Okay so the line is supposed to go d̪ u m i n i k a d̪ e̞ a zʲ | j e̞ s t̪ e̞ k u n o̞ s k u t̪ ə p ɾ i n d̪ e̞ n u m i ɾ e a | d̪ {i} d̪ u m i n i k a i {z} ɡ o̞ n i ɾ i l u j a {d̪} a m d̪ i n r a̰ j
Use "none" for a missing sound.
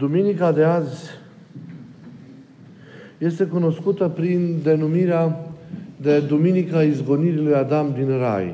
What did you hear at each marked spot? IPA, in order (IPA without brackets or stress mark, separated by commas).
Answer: e, z, d̪